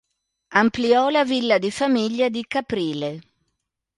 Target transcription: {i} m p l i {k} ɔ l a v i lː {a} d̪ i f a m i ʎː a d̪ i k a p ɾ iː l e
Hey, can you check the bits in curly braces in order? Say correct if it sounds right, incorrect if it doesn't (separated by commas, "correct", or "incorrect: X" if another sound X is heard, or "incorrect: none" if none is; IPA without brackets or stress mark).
incorrect: a, incorrect: none, correct